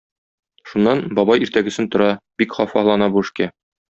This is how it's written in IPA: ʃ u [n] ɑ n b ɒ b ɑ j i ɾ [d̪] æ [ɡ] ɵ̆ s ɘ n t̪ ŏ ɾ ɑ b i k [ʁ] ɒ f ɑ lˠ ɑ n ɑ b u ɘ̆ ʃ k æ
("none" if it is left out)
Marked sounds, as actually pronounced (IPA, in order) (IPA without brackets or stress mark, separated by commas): nː, t̪, ɡ, χ